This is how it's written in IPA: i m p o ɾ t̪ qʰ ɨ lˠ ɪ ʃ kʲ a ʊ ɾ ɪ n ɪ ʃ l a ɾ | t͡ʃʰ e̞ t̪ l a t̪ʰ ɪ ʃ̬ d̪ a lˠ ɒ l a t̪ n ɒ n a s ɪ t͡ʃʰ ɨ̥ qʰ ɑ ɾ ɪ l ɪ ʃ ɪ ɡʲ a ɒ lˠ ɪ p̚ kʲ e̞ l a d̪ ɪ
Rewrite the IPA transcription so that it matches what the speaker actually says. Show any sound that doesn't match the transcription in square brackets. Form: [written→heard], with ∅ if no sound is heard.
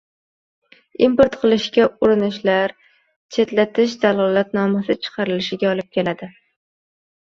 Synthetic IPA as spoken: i m p o ɾ t̪ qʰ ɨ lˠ ɪ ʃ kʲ a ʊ ɾ ɪ n ɪ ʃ l a ɾ | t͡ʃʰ e̞ t̪ l a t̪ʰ ɪ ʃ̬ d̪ a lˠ ɒ l a t̪ n ɒ [n→m] a s ɪ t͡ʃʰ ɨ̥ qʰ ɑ ɾ ɪ l ɪ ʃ ɪ ɡʲ a ɒ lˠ ɪ p̚ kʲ e̞ l a d̪ ɪ